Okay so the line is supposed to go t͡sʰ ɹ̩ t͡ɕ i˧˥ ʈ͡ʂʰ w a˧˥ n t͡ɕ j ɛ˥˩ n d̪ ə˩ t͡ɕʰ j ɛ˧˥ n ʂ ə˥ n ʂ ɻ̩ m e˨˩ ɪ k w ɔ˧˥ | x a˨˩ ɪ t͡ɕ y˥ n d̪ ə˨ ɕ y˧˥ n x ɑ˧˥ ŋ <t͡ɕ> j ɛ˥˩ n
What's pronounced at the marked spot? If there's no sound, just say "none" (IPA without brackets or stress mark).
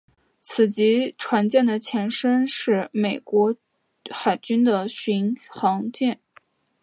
t͡ɕ